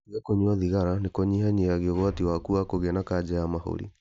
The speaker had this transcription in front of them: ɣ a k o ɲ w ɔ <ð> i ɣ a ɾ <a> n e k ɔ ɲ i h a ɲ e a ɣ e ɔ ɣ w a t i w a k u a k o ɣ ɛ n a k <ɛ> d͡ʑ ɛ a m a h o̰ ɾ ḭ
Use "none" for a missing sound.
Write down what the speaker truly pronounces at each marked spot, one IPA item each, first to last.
ð, a, a

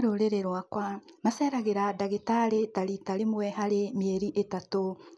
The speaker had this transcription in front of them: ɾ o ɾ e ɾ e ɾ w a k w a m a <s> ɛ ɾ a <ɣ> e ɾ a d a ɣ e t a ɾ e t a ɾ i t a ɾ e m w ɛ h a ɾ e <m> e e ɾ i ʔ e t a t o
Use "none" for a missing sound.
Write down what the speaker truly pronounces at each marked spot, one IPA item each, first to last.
s, ɣ, m

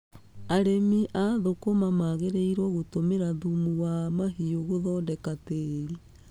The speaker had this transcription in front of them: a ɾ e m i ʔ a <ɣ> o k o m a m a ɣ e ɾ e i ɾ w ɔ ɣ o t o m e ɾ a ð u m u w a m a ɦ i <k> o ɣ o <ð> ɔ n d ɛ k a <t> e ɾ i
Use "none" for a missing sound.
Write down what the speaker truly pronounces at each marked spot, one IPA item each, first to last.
ð, none, ð, t

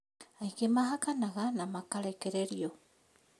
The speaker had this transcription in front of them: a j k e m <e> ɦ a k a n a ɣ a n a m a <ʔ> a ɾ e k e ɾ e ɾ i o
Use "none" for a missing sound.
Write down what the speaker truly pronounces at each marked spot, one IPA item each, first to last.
a, k

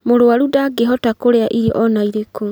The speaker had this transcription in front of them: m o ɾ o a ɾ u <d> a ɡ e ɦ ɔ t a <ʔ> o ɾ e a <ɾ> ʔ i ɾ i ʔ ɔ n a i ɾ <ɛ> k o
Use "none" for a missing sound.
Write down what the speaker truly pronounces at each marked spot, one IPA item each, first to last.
d, k, none, e

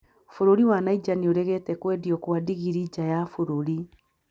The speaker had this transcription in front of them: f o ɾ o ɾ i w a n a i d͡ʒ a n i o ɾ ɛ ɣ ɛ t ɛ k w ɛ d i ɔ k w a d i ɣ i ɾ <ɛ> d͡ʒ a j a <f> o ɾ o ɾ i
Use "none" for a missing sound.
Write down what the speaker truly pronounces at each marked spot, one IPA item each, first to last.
i, f

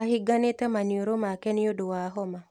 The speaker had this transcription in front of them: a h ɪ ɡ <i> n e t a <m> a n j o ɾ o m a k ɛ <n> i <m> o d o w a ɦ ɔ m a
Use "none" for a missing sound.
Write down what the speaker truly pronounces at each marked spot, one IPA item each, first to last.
a, m, n, none

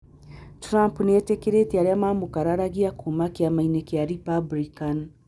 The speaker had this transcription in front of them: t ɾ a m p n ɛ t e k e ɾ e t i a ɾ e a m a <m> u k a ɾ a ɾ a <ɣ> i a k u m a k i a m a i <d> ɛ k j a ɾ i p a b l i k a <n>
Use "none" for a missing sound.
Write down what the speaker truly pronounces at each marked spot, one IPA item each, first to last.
m, ɣ, n, n

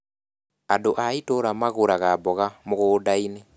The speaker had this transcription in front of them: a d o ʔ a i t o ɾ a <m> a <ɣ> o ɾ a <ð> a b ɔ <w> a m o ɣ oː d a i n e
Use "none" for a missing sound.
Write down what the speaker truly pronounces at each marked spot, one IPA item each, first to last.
m, ɣ, ɣ, ɣ

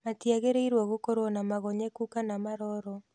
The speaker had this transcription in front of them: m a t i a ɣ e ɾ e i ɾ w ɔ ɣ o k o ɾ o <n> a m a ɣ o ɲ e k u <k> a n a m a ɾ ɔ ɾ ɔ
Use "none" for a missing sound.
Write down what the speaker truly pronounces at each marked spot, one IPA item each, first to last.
n, k

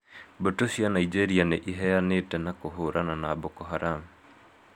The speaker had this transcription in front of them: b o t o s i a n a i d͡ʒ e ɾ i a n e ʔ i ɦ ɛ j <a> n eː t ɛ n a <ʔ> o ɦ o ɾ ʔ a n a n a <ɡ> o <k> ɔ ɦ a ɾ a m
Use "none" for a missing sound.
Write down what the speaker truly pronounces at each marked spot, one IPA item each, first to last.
a, k, b, k

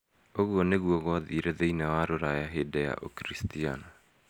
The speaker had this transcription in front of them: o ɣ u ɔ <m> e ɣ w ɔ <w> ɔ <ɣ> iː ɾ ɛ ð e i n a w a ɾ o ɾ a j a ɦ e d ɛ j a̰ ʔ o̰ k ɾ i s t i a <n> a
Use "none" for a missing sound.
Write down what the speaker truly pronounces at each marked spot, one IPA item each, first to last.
n, ɣ, ð, n

